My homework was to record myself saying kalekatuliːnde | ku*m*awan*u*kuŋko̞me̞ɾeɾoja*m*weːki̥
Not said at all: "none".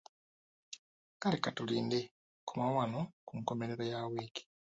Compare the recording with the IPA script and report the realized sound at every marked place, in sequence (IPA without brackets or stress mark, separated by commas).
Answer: m, o, none